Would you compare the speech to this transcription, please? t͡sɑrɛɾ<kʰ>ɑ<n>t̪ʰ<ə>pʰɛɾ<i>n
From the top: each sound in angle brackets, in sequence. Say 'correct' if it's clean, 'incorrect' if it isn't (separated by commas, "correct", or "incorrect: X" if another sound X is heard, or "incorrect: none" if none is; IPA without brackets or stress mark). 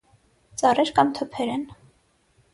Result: incorrect: k, incorrect: m, correct, incorrect: ɛ